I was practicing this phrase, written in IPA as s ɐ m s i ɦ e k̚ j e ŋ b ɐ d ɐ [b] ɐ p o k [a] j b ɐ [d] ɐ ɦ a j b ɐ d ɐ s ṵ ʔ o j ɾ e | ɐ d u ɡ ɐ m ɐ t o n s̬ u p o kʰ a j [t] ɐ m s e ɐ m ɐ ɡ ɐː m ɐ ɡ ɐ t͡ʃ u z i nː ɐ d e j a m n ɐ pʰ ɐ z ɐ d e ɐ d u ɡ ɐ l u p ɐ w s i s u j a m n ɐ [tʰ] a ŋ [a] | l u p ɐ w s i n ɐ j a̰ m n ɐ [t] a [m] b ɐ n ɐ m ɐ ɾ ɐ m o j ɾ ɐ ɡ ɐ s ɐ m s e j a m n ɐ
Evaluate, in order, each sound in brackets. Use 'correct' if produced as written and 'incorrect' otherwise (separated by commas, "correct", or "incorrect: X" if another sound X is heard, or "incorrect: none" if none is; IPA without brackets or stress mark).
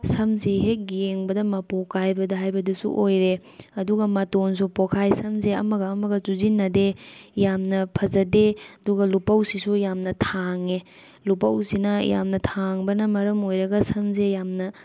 incorrect: m, correct, correct, incorrect: s, correct, incorrect: e, incorrect: tʰ, incorrect: ŋ